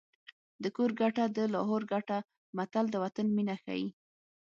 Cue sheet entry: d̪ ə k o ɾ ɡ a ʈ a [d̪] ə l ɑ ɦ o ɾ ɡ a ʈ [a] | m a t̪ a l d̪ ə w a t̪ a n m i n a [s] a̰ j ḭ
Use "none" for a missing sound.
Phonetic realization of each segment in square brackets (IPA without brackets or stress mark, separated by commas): d̪, a, x